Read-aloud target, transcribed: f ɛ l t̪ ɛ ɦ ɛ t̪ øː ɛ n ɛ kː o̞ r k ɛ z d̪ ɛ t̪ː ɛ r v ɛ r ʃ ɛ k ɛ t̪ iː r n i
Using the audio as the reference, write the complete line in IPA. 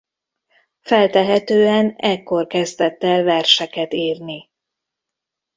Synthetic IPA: f ɛ l t̪ ɛ ɦ ɛ t̪ øː ɛ n ɛ kː o̞ r k ɛ z d̪ ɛ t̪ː ɛ l v ɛ r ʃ ɛ k ɛ t̪ iː r n i